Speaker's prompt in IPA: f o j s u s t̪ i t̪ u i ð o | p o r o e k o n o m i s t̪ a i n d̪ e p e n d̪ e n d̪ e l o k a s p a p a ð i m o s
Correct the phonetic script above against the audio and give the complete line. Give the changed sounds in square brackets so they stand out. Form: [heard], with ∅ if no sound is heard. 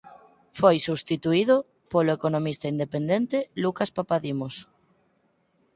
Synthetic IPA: f o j s u s t̪ i t̪ u i ð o | p o [l] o e k o n o m i s t̪ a i n d̪ e p e n d̪ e n [t̪] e l [u] k a s p a p a ð i m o s